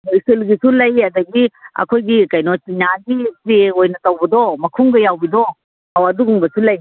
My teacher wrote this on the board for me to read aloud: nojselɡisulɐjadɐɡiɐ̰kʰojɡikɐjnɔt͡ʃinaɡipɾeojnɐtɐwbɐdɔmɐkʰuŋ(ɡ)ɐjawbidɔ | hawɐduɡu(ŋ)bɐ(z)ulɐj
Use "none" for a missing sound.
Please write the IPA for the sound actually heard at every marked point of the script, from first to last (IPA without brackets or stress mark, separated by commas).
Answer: ɡ, ŋ, s